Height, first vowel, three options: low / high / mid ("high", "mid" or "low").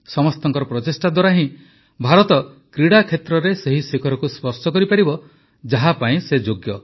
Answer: mid